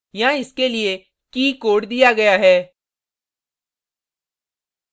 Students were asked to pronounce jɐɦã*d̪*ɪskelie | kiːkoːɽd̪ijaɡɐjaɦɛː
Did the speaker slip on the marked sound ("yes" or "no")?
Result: yes